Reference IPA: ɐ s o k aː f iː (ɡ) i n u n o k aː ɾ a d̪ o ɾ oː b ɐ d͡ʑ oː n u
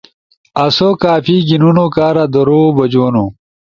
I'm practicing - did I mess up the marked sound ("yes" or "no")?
no